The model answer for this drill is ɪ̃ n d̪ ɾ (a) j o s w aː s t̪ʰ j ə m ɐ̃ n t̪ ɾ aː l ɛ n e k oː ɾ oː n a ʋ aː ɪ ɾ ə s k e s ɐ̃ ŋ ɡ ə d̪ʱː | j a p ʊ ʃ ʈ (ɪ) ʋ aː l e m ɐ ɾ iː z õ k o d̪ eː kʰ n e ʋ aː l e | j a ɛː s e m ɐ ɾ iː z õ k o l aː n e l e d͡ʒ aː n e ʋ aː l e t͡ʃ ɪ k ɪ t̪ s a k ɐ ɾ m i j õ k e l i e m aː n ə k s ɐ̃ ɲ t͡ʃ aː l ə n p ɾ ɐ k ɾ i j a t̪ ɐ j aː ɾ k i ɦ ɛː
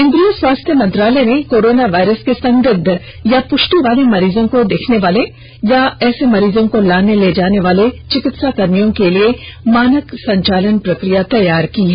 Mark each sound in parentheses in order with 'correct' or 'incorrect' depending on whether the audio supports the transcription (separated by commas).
incorrect, incorrect